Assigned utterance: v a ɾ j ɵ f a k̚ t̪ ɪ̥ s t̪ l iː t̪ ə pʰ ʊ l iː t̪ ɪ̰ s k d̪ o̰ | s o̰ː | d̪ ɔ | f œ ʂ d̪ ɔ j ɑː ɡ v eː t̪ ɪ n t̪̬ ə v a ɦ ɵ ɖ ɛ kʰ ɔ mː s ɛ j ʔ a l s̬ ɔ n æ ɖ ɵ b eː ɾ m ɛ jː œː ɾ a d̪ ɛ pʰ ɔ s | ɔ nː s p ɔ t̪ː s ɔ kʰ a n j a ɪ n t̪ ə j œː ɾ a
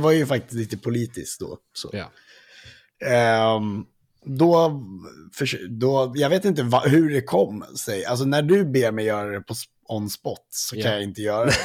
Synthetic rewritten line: v a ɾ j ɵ f a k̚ t̪ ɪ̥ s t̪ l iː t̪ ə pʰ ʊ l iː t̪ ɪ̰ s k d̪ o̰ | s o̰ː | d̪ ɔ | f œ ʂ d̪ ɔ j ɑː ɡ v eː t̪ ɪ n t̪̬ ə v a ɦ ɵ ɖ ɛ kʰ ɔ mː s ɛ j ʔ a l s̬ ɔ n æ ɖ ɵ b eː ɾ m ɛ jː œː ɾ a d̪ ɛ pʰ ɔ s | ɔ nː s p ɔ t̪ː s ɔ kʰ a n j a ɪ n t̪ ə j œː ɾ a